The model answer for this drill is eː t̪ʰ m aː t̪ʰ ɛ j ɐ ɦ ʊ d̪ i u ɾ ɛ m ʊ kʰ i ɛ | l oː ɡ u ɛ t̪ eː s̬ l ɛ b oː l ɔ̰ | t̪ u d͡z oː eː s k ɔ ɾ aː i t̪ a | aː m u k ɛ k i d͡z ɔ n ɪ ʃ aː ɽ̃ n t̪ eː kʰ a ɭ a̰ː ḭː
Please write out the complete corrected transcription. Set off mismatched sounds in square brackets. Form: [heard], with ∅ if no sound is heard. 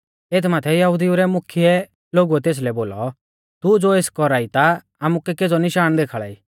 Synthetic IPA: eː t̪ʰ m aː t̪ʰ ɛ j ɐ ɦ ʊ d̪ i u ɾ ɛ m ʊ kʰ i ɛ | l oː ɡ u ɛ t̪ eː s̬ l ɛ b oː l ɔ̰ | t̪ u d͡z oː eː s k ɔ ɾ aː i t̪ a | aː m u k ɛ k [e] d͡z ɔ n ɪ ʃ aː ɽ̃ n [d̪] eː kʰ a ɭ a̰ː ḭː